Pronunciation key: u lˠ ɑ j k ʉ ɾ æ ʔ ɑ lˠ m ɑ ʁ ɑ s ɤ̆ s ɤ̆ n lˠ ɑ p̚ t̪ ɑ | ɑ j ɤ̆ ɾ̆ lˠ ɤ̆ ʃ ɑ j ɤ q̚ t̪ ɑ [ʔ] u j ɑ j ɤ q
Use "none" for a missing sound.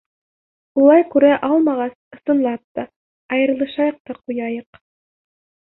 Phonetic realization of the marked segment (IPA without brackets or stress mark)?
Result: q